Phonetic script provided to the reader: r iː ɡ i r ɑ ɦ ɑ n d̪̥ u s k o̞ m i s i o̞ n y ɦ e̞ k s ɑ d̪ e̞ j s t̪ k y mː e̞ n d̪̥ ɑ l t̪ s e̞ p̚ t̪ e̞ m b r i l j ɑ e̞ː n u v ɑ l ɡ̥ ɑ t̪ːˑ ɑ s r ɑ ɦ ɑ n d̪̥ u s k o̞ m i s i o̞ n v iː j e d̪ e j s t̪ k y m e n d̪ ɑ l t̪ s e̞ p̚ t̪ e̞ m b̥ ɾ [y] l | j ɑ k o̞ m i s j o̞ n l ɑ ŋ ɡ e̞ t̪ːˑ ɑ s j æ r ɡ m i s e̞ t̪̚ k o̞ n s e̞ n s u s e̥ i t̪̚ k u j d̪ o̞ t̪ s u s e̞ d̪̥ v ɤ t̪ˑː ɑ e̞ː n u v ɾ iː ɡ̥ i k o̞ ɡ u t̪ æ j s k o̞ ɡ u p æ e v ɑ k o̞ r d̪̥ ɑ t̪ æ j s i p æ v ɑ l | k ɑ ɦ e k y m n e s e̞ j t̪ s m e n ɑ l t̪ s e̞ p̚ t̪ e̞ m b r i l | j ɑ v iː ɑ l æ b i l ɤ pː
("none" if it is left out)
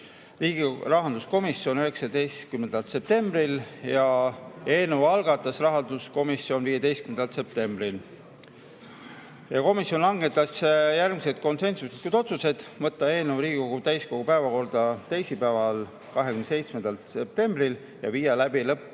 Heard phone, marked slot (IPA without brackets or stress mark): i